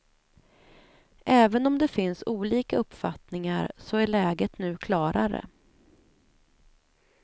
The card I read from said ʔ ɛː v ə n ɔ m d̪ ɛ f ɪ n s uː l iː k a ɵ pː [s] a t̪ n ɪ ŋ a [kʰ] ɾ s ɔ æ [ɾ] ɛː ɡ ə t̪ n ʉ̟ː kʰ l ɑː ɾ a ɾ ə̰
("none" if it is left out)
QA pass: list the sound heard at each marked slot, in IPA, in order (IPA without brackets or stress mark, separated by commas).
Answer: f, none, ɭ